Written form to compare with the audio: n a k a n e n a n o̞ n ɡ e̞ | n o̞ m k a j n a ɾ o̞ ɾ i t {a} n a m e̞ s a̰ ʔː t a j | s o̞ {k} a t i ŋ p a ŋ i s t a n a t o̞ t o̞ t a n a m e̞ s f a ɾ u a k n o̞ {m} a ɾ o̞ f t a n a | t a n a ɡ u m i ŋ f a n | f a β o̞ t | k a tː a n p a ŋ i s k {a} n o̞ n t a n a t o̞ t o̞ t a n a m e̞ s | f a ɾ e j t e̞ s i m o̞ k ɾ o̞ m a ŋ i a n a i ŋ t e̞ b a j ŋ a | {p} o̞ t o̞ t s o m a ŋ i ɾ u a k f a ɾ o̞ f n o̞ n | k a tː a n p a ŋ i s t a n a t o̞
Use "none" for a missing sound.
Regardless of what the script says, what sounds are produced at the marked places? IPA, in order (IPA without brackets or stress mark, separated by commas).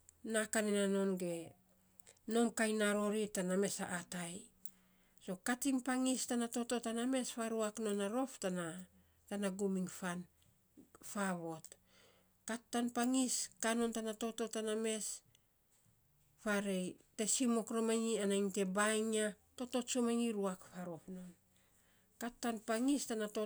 a, k, n, a, t